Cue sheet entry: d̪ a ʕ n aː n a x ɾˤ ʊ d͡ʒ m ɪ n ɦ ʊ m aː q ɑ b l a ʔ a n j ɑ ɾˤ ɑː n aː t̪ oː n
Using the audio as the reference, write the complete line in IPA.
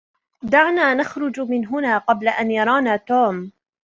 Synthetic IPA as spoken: d̪ a ʕ n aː n a x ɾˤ ʊ d͡ʒ m ɪ n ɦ ʊ n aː q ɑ b l a ʔ a n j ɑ ɾˤ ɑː n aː t̪ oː m